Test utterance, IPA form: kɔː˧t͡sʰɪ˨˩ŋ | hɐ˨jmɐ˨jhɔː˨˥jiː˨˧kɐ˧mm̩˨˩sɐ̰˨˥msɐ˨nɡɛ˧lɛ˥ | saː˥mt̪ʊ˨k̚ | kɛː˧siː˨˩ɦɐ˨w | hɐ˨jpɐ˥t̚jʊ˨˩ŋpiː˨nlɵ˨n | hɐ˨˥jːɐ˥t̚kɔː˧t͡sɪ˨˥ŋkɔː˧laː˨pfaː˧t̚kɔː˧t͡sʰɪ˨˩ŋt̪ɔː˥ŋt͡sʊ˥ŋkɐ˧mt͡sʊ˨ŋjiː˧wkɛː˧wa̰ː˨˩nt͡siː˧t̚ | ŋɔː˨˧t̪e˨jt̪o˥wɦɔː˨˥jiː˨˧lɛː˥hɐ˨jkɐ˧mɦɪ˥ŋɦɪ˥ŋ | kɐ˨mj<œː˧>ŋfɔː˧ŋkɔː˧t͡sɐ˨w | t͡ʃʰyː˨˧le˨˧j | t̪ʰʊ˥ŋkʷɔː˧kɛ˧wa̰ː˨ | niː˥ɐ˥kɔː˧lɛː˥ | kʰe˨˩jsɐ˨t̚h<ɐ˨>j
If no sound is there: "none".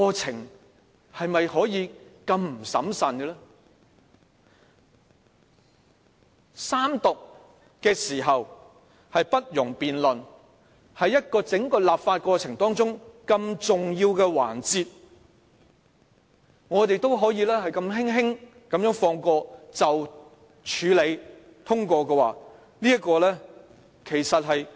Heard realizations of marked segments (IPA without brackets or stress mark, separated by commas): œː˨˥, ɐ˨